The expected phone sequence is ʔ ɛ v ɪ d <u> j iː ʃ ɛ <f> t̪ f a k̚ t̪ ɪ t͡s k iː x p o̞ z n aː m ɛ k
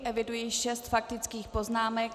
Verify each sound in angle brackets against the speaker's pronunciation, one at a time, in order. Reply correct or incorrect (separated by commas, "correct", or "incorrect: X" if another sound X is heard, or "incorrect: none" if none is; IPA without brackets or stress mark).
correct, incorrect: s